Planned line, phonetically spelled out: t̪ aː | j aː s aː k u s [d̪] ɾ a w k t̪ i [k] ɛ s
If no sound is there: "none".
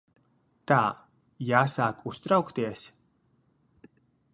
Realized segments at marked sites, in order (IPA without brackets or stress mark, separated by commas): t̪, none